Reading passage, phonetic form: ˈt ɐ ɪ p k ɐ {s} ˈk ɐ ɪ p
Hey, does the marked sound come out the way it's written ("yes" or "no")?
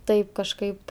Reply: no